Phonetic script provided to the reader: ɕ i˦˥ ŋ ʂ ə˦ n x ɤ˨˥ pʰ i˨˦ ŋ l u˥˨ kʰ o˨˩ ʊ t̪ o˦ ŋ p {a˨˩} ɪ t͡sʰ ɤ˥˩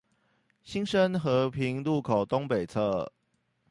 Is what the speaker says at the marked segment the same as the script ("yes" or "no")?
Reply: no